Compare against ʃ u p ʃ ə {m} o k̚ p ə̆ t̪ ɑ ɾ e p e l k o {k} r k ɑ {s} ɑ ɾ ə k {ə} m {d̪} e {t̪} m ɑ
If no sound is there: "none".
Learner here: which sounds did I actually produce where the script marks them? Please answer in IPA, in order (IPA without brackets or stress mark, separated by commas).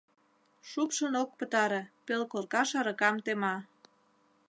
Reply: n, none, ʃ, ɑ, t̪, none